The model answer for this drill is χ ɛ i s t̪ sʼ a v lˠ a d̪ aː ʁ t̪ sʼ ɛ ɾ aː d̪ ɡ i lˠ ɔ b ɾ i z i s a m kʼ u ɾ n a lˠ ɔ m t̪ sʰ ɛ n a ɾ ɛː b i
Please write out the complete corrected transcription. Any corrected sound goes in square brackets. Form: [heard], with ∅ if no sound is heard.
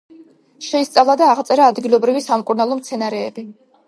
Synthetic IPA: [ʃ] ɛ i s t̪ sʼ a v lˠ a d̪ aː ʁ t̪ sʼ ɛ ɾ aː d̪ ɡ i lˠ ɔ b ɾ i [v] i s a m kʼ u ɾ n a lˠ ɔ m t̪ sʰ ɛ n a ɾ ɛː b i